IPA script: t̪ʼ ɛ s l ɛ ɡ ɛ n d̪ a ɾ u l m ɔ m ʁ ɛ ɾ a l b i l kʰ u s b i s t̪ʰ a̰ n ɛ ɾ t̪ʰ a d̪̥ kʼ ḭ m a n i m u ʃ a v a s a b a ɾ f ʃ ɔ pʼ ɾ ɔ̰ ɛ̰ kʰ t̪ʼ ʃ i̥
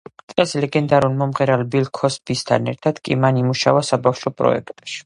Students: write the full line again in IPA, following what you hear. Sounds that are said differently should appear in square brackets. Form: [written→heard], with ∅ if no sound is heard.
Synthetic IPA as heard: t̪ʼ ɛ s l ɛ ɡ ɛ n d̪ a ɾ u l m ɔ m ʁ ɛ ɾ a l b i l kʰ [u→ɔ] s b i s t̪ʰ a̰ n ɛ ɾ t̪ʰ a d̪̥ kʼ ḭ m a n i m u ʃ a v a s a b a [ɾ→∅] f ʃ ɔ pʼ ɾ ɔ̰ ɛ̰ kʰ t̪ʼ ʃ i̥